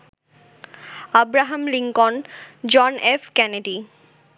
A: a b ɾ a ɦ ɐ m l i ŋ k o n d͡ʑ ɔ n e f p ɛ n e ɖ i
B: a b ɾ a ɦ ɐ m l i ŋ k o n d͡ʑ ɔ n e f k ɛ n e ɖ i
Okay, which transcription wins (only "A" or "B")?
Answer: B